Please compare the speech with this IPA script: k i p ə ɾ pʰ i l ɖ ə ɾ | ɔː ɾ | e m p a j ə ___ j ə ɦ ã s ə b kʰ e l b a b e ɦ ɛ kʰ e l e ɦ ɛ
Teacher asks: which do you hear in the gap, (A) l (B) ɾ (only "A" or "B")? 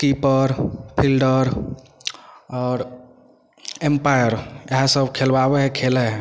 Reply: B